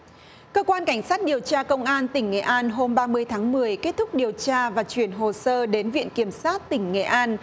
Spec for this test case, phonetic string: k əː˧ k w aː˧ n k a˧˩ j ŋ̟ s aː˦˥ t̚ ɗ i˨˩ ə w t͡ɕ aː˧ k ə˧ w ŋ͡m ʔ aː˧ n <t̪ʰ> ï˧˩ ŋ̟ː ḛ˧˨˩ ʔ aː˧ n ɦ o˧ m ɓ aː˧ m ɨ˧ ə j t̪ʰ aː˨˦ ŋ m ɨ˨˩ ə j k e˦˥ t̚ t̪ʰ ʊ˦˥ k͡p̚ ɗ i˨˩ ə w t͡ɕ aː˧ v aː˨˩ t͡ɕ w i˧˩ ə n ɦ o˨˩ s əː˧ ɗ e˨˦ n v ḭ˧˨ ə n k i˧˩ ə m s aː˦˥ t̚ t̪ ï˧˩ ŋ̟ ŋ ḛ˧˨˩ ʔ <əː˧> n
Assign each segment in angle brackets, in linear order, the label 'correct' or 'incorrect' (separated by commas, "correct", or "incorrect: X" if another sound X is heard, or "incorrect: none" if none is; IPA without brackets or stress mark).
incorrect: t̪, incorrect: aː˧